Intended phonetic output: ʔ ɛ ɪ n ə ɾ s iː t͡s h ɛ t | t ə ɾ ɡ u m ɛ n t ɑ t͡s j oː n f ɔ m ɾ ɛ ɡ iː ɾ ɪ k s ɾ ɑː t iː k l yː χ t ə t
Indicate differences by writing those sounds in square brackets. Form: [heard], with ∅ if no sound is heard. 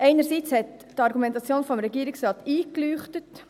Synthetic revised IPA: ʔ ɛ ɪ n ə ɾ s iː t͡s h ɛ t | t [ɑ] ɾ ɡ u m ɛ n t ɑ t͡s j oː n f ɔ m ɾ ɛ ɡ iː ɾ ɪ k s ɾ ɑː t iː k l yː χ t ə t